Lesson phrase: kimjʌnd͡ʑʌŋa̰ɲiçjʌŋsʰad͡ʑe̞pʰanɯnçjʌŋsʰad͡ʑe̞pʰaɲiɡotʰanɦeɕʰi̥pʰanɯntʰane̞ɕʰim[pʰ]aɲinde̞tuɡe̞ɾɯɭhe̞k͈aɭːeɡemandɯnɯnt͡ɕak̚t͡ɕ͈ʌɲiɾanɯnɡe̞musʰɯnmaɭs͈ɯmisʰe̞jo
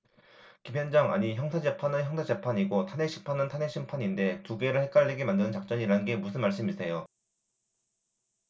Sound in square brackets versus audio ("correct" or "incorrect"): correct